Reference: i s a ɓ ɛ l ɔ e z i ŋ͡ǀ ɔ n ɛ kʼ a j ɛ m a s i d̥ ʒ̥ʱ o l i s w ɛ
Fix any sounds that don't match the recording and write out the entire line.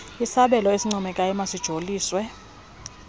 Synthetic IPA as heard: i s a ɓ ɛ l ɔ e s i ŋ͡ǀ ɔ m ɛ kʼ a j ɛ m a s i d̥ ʒ̥ʱ o l iː s w ɛ